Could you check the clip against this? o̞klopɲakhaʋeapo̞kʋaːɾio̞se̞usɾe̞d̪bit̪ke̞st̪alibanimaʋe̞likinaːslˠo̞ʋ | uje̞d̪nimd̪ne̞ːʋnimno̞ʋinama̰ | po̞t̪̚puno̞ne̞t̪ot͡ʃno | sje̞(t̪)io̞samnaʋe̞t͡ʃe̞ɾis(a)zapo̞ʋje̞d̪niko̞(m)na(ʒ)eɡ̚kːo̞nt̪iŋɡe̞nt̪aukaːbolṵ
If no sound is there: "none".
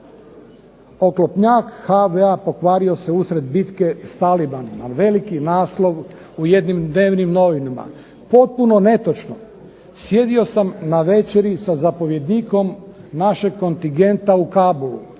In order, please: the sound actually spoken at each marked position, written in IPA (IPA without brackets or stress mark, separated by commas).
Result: d̪, a, m, ʃ